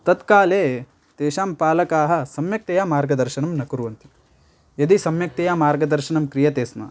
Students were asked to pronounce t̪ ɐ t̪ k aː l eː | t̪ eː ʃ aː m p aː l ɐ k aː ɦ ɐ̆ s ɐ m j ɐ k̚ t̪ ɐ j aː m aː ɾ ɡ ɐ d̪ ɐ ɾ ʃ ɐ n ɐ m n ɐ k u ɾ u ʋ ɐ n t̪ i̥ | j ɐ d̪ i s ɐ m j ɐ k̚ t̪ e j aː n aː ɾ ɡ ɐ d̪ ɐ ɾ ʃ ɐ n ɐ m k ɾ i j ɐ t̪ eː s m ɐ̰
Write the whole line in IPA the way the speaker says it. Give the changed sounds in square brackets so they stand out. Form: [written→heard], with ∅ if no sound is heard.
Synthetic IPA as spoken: t̪ ɐ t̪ k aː l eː | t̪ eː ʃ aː m p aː l ɐ k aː ɦ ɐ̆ s ɐ m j ɐ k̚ t̪ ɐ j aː m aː ɾ ɡ ɐ d̪ ɐ ɾ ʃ ɐ n ɐ m n ɐ k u ɾ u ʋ ɐ n t̪ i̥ | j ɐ d̪ i s ɐ m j ɐ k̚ t̪ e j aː [n→m] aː ɾ ɡ ɐ d̪ ɐ ɾ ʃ ɐ n ɐ m k ɾ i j ɐ t̪ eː s m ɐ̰